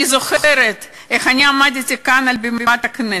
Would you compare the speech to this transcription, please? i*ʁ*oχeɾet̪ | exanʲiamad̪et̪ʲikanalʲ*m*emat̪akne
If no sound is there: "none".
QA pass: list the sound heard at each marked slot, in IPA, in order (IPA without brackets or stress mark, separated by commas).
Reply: z, b